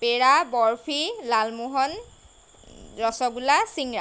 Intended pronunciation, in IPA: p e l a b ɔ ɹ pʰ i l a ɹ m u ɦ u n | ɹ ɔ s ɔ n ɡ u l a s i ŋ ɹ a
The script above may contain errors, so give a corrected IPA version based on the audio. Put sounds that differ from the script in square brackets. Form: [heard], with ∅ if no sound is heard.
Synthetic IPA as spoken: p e [ɹ] a b ɔ ɹ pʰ i l a [l] m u ɦ [ɔ] n | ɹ ɔ s ɔ [∅] ɡ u l a s i ŋ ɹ a